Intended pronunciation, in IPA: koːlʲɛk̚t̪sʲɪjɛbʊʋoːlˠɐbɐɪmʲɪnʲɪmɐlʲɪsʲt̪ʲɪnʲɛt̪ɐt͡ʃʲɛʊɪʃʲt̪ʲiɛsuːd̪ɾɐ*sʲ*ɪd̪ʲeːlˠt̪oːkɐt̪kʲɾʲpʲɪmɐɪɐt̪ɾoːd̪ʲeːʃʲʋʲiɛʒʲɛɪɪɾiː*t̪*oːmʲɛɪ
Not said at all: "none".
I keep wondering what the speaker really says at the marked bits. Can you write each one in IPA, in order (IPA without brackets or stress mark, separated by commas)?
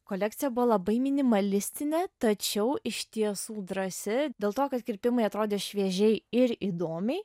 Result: sʲ, d̪